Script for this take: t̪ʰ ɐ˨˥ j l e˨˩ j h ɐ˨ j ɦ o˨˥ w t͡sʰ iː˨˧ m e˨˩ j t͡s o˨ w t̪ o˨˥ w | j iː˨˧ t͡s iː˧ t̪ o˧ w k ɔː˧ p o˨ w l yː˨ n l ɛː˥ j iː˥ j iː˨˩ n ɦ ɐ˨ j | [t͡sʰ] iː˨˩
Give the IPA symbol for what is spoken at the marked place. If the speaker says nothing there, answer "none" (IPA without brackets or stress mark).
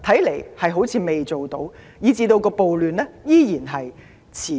t͡sʰ